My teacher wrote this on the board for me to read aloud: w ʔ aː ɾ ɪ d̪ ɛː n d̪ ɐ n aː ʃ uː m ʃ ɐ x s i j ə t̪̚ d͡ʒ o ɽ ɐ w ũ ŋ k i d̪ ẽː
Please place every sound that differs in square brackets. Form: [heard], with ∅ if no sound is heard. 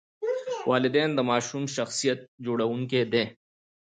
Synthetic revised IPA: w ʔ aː [l] ɪ d̪ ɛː n d̪ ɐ [m] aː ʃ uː m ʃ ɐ x s i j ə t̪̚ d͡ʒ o ɽ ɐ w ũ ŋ k [e] d̪ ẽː